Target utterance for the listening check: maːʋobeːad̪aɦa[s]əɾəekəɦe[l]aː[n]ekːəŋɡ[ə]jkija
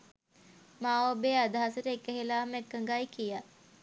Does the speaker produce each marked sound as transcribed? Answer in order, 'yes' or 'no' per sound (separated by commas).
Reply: yes, yes, no, no